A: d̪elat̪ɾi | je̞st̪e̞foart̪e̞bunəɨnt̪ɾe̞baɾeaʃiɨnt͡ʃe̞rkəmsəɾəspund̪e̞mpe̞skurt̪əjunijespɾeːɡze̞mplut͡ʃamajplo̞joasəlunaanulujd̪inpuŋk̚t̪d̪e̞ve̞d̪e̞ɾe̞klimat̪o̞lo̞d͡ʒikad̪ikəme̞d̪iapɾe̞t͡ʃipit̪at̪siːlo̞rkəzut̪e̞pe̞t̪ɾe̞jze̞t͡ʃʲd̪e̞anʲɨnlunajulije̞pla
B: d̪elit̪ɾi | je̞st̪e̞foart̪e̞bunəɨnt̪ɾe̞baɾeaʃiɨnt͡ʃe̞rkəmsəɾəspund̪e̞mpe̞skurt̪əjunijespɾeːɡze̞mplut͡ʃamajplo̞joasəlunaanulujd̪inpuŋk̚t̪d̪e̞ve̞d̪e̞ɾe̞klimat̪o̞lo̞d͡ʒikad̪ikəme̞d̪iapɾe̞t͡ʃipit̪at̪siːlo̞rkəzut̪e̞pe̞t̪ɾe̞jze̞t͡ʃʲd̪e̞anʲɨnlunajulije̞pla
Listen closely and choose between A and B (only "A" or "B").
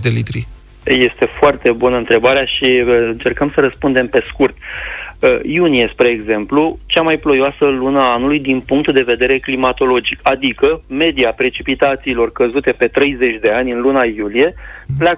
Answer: B